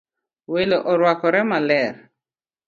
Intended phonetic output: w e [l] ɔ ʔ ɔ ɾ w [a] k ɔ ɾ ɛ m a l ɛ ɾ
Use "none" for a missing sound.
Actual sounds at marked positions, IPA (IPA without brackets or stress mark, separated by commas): l, a